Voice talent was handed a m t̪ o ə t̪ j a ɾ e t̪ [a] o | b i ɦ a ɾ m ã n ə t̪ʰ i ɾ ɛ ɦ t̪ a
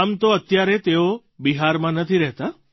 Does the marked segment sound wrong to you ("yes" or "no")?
yes